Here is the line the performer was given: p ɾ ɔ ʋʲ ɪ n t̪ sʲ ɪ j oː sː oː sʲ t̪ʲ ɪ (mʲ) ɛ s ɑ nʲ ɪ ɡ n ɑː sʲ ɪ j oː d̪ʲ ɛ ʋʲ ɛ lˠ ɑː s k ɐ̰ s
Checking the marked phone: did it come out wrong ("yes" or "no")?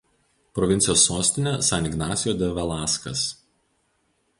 yes